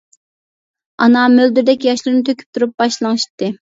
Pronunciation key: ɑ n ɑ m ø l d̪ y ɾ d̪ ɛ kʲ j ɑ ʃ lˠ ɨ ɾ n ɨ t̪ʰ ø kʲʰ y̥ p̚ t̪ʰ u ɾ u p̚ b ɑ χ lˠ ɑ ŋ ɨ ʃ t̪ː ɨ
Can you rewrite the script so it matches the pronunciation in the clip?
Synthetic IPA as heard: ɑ n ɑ m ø l d̪ y ɾ d̪ ɛ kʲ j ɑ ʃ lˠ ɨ ɾ n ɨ t̪ʰ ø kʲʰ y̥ p̚ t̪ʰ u ɾ u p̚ b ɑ ʃ lˠ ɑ ŋ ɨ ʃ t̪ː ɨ